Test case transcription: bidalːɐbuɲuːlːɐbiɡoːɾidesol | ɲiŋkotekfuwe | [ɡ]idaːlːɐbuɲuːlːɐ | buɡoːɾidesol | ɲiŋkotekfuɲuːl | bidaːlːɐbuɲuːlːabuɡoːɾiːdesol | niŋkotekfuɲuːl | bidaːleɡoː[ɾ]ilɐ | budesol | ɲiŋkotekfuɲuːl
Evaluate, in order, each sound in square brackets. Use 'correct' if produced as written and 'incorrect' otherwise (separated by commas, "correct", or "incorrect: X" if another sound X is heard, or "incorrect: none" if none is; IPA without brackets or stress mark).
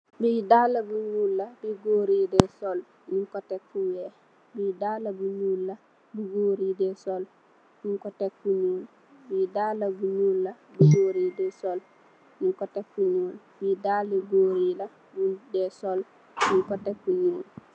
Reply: incorrect: b, correct